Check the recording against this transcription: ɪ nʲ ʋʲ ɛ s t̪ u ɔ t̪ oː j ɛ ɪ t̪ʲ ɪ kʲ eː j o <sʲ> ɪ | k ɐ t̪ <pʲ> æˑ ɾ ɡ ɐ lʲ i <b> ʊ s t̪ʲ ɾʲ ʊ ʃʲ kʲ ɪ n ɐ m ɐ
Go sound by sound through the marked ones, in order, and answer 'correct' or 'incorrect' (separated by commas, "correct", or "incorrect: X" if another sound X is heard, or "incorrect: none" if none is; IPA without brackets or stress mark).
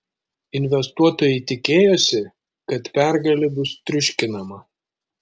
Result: correct, correct, correct